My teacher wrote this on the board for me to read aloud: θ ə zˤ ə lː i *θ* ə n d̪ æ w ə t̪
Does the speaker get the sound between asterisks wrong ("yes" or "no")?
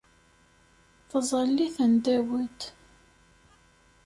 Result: no